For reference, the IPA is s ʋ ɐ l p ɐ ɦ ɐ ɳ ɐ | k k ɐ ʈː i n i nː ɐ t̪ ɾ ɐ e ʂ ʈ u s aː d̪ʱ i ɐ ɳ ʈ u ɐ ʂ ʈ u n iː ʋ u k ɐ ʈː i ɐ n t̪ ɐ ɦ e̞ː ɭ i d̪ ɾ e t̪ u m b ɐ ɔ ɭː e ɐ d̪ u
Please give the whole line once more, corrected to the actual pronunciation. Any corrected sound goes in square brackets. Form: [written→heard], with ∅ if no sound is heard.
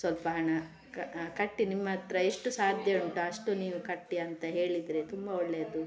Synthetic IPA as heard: s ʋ ɐ l p ɐ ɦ ɐ ɳ ɐ | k k ɐ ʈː i n i [nː→mː] ɐ t̪ ɾ ɐ e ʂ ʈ u s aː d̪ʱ [i→j] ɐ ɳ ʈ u ɐ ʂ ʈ u n iː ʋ u k ɐ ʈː i ɐ n t̪ ɐ ɦ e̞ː ɭ i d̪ ɾ e t̪ u m b ɐ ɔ ɭː e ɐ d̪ u

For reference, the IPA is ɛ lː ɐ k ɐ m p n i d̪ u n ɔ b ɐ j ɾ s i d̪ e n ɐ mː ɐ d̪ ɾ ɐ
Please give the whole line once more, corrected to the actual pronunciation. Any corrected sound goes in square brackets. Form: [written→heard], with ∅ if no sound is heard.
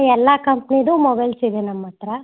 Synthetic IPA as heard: ɛ lː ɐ k ɐ m p n i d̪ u [n→m] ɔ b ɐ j [ɾ→l] s i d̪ e n ɐ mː ɐ [d̪→t̪] ɾ ɐ

